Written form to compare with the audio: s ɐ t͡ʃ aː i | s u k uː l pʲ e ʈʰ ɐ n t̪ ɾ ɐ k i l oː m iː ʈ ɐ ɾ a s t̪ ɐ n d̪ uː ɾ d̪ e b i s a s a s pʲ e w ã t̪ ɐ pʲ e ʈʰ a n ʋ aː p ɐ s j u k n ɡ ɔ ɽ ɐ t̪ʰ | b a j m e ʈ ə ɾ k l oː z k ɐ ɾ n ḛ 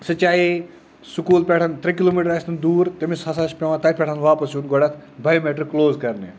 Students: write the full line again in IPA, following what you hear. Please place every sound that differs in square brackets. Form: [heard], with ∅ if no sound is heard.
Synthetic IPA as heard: s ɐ t͡ʃ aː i | s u k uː l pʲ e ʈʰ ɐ n t̪ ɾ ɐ k i l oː m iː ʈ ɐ ɾ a s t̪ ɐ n d̪ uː ɾ [t̪] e [m] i s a s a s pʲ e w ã t̪ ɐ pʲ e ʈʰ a n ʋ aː p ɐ s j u [∅] n ɡ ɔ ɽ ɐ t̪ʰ | b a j m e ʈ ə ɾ k l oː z k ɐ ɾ n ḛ